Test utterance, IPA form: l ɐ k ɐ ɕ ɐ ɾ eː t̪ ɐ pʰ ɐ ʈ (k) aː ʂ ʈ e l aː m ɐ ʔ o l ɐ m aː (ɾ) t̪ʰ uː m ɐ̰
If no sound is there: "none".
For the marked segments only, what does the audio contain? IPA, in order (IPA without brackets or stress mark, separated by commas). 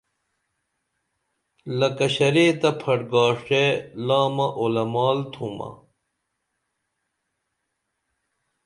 ɡ, l